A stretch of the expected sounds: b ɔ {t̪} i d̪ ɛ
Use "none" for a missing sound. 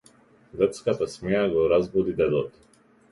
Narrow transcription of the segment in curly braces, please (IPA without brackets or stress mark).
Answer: d̪